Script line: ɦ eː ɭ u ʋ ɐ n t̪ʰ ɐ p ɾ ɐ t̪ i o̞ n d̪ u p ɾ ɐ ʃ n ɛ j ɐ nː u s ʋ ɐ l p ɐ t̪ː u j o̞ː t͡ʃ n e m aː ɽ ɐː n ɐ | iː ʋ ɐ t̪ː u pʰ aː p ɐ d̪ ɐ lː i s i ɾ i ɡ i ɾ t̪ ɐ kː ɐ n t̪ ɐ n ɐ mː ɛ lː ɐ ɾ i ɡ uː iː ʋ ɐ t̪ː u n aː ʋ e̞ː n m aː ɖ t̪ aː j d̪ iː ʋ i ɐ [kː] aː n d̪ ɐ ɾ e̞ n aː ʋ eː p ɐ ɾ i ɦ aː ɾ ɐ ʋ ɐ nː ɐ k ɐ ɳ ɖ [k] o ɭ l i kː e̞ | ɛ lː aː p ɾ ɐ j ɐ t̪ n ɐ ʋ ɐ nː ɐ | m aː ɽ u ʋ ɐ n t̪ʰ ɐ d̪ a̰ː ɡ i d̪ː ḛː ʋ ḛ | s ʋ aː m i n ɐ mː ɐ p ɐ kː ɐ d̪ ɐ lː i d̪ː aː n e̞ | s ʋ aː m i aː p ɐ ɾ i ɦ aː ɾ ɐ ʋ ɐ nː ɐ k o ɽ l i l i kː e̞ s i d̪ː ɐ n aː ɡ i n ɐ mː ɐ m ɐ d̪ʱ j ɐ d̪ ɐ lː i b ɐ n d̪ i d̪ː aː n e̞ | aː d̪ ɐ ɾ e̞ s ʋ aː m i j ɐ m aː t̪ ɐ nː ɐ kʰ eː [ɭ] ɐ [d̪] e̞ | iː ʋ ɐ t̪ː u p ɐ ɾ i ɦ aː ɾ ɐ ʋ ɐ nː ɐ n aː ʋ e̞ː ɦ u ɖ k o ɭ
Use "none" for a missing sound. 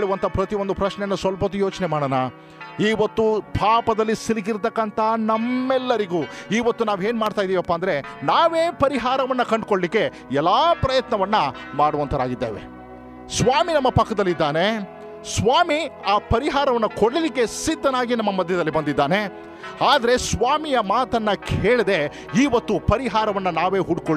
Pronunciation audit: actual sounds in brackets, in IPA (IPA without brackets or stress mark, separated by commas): pː, k, ɭ, d̪